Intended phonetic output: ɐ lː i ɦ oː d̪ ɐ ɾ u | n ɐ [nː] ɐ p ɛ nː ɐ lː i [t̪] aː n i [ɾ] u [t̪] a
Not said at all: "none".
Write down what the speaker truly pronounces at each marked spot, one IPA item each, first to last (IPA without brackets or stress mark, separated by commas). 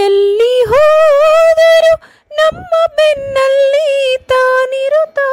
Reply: mː, t̪, ɾ, t̪